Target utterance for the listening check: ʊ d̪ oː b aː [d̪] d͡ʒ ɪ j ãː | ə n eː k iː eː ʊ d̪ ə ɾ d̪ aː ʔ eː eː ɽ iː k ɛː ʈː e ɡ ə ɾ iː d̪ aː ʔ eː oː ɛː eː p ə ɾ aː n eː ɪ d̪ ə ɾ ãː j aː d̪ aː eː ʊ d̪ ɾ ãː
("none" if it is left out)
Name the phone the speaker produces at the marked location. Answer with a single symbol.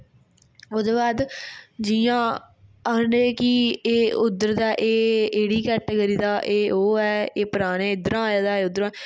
d̪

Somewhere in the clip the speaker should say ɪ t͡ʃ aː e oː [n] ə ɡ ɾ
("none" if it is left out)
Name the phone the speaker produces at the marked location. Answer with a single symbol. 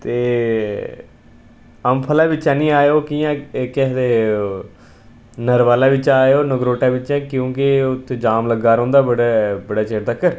n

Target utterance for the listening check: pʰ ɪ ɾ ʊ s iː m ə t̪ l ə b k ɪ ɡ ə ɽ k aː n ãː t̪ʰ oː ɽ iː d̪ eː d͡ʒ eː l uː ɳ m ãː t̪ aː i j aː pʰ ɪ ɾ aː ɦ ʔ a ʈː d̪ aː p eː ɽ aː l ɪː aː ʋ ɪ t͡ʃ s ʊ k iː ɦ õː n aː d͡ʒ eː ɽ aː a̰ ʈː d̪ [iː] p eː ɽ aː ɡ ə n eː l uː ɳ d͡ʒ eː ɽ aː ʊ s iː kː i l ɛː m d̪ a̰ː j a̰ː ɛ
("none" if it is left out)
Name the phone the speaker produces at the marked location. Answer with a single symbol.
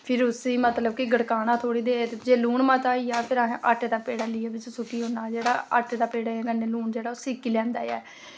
aː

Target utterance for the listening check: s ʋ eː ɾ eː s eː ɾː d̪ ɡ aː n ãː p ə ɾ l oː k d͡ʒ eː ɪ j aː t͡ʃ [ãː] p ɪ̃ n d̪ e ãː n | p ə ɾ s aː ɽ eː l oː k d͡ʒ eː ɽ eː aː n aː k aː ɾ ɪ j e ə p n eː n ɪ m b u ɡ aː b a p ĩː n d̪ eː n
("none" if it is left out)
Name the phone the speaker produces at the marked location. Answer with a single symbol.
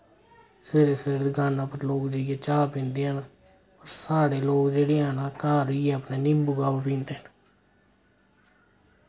aː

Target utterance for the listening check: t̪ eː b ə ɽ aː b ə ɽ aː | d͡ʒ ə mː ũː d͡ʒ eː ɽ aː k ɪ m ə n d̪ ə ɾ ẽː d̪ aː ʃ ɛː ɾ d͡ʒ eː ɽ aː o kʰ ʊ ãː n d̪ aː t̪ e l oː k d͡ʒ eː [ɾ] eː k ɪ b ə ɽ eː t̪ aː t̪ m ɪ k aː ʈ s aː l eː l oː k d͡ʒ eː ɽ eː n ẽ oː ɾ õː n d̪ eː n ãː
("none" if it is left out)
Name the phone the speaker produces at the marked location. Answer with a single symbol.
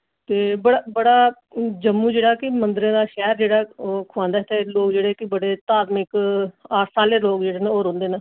ɽ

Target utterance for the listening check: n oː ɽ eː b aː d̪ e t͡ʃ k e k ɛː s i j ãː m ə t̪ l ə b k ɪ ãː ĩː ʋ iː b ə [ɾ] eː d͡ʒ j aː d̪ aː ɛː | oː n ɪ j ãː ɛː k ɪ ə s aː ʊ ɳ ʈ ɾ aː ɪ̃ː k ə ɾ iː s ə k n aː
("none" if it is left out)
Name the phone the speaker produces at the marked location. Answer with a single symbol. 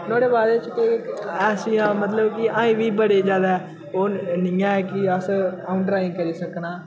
ɽ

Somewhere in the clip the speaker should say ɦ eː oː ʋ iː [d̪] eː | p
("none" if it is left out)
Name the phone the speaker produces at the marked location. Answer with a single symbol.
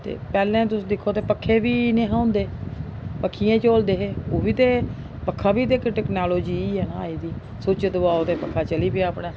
t̪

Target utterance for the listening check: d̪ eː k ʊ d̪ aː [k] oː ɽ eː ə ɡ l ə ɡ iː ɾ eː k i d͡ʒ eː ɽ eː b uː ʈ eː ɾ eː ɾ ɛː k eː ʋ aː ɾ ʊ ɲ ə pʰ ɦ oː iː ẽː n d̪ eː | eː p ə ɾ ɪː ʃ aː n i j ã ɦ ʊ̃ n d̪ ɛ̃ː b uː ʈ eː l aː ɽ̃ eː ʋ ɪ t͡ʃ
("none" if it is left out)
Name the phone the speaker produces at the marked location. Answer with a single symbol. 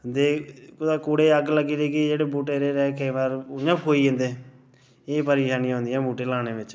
k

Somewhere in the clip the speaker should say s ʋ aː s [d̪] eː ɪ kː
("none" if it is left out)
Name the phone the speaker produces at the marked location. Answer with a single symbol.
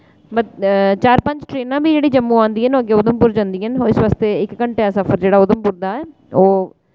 t̪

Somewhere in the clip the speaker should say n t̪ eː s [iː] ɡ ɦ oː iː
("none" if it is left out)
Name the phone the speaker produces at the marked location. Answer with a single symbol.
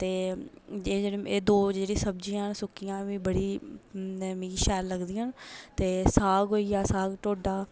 aː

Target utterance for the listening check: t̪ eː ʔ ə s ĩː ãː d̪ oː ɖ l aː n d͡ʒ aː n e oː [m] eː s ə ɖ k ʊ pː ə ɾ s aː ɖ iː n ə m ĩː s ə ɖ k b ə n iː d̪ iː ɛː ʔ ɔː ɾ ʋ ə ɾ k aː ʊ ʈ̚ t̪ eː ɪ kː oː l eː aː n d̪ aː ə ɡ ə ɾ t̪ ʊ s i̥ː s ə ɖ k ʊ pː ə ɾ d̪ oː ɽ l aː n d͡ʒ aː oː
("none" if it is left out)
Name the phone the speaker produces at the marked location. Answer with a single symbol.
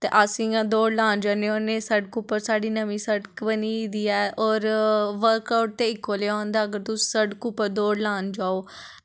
n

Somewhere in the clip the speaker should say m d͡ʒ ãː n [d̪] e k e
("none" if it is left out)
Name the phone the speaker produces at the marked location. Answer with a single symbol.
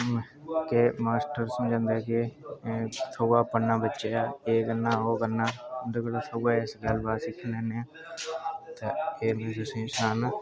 d̪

